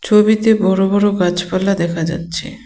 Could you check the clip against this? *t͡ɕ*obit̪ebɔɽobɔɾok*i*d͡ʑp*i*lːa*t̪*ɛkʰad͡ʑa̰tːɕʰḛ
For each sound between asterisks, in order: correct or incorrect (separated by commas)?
incorrect, incorrect, incorrect, incorrect